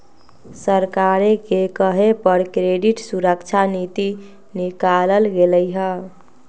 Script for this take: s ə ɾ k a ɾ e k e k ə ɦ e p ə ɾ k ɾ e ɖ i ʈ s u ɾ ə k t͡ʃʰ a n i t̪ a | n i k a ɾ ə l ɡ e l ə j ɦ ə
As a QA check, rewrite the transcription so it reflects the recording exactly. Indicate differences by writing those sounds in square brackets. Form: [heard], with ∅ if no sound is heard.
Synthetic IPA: s ə ɾ k a ɾ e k e k ə ɦ e p ə ɾ k ɾ e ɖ i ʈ s u ɾ ə k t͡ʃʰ a n i t̪ [i] | n i k a [l] ə l ɡ e l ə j ɦ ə